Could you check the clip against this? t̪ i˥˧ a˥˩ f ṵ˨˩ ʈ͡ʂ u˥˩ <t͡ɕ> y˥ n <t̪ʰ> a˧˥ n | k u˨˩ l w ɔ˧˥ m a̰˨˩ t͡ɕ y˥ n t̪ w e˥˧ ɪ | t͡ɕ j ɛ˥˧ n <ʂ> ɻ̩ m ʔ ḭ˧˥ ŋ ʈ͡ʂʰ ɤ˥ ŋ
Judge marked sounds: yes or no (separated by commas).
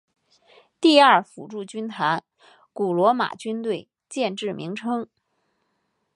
yes, yes, no